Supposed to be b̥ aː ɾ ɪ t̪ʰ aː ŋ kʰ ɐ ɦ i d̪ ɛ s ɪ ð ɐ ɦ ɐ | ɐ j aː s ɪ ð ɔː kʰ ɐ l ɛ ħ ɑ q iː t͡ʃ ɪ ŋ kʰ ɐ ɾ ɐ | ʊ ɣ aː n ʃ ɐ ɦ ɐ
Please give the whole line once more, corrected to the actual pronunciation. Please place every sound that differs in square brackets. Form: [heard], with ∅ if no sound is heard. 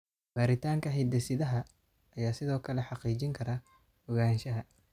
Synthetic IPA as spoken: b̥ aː ɾ ɪ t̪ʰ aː ŋ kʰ ɐ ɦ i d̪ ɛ s ɪ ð ɐ ɦ ɐ | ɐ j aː s ɪ ð ɔː kʰ ɐ l ɛ ħ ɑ q iː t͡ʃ ɪ ŋ kʰ ɐ ɾ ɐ | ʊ ɣ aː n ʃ ɐ ɦ ɐ

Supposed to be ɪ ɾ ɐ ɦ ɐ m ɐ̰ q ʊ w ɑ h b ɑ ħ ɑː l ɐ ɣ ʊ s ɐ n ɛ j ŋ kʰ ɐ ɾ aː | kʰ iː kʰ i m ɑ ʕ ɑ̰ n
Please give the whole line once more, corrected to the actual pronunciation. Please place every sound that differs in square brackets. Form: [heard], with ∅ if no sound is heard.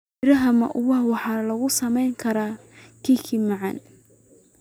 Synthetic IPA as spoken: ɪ ɾ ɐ ɦ ɐ m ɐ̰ [ʔ] ʊ w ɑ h [w] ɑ ħ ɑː l ɐ ɣ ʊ s ɐ [m] ɛ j ŋ kʰ ɐ ɾ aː | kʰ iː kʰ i m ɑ ʕ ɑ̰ n

